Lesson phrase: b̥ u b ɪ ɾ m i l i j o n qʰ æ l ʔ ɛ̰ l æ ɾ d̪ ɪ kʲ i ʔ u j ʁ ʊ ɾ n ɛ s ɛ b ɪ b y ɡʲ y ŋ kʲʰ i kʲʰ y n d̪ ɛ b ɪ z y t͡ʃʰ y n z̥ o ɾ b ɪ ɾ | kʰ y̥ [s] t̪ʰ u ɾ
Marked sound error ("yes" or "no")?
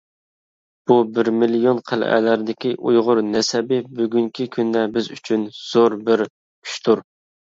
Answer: yes